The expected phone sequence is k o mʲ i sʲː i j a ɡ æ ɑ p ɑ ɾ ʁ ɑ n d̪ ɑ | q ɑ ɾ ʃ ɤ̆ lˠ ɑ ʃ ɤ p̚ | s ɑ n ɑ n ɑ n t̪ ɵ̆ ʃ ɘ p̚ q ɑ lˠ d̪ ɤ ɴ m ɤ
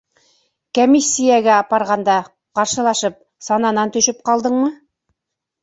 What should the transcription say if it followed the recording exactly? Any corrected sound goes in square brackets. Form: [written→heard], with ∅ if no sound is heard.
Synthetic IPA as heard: k o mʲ i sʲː i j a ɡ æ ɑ p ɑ ɾ ʁ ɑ n d̪ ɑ | q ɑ ɾ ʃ ɤ̆ lˠ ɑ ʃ ɤ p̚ | s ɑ n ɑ n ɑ n t̪ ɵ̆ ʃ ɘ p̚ q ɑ lˠ d̪ ɤ ɴ m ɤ